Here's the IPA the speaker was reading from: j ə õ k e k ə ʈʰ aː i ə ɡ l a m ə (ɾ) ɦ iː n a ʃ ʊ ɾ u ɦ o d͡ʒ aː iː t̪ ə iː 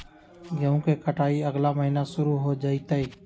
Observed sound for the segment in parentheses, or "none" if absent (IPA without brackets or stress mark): none